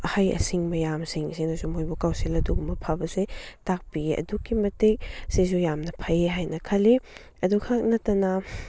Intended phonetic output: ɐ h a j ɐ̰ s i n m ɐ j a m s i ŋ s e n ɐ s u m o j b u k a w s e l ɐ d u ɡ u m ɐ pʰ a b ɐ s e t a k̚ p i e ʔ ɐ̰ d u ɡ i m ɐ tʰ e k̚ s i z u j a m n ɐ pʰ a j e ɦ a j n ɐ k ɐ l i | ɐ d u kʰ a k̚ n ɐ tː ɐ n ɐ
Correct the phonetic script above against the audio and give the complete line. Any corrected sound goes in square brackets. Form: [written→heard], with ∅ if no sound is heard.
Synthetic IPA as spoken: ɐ h a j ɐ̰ s i [n→ŋ] m ɐ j a m s i ŋ s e n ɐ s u m o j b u k a w s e l ɐ d u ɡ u m ɐ pʰ a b ɐ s e t a k̚ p i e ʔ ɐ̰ d u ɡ i m ɐ [tʰ→t] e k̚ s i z u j a m n ɐ pʰ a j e ɦ a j n ɐ [k→kʰ] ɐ l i | ɐ d u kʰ a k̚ n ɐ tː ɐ n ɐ